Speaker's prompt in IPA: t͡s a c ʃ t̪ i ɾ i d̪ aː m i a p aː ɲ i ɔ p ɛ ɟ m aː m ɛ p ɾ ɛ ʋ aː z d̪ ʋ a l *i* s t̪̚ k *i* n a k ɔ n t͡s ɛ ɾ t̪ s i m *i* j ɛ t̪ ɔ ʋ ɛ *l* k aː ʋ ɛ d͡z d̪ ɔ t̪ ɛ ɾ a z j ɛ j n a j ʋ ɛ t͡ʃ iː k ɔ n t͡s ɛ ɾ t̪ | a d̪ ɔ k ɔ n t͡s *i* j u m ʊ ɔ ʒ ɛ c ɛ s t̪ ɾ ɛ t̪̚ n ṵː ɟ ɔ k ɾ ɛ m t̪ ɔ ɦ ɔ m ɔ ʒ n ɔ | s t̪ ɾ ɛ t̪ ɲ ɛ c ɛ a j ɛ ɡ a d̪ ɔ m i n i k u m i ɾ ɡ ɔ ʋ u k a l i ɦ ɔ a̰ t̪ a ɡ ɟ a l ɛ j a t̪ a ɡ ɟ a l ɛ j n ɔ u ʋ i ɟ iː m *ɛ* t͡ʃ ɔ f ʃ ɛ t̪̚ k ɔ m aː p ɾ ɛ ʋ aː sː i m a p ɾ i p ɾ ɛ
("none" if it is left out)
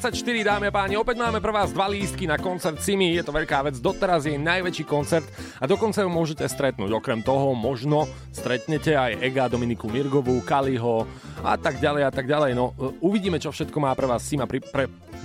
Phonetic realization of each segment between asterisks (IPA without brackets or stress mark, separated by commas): iː, i, i, ʎ, a, ɛ